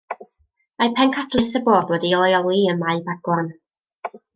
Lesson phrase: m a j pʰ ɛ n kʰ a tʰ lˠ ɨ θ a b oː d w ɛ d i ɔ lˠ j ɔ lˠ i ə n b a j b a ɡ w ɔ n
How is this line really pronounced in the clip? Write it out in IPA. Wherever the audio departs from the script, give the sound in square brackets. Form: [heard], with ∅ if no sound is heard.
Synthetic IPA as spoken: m a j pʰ ɛ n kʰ a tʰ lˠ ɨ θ [ə] b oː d w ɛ d i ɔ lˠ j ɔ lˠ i ə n [m] a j b a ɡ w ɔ n